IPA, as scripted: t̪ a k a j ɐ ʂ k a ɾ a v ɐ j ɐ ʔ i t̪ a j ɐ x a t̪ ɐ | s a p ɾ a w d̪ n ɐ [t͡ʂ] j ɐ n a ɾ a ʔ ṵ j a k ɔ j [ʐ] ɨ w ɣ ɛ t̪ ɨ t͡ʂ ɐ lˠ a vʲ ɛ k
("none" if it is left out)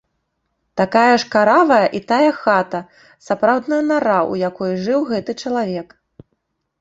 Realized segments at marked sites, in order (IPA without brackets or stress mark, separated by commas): none, ʐ